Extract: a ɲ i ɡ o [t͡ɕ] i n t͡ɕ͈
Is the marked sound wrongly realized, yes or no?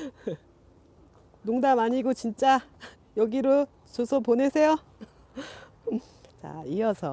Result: no